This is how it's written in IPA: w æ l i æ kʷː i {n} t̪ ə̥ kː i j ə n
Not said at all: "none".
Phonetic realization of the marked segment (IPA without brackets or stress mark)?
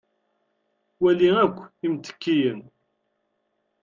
m